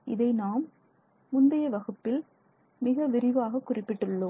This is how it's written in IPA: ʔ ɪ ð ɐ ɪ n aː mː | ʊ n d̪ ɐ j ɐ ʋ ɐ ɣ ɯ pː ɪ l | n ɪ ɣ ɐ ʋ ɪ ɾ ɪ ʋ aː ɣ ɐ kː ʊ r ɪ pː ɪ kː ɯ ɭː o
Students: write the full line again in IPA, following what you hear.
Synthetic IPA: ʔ ɪ ð ɐ ɪ n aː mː | ʊ n d̪ ɐ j ɐ ʋ ɐ ɣ ɯ pː ɪ l | m ɪ ɣ ɐ ʋ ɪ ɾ ɪ ʋ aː ɣ ɐ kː ʊ r ɪ pː ɪ ʈː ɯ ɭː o